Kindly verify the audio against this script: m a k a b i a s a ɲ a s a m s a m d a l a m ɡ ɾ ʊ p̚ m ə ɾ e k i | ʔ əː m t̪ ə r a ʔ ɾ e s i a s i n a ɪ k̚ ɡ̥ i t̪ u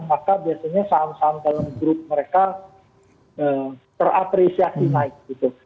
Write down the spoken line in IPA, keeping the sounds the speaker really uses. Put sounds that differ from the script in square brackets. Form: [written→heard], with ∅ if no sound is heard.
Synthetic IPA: m a k a b i a s a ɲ a s a m s a m d a l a m ɡ ɾ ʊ p̚ m ə ɾ e k [i→a] | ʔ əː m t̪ ə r a [ʔ→p] ɾ e s i a s i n a ɪ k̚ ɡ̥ i t̪ u